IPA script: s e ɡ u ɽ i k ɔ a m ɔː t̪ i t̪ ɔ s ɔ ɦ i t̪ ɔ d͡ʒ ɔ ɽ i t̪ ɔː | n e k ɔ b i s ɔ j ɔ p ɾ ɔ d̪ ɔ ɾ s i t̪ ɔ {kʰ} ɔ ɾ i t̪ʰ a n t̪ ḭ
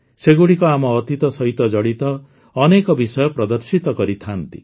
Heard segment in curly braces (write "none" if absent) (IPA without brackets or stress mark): k